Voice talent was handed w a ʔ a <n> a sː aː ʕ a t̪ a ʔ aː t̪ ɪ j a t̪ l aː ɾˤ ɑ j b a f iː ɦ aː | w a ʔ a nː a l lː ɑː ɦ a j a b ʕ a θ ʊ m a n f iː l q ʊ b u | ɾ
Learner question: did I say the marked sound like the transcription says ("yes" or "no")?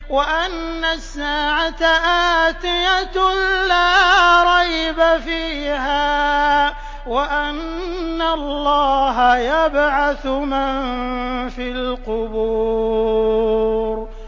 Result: no